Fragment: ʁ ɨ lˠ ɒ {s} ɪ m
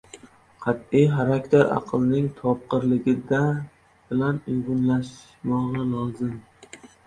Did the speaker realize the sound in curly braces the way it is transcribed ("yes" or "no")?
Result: no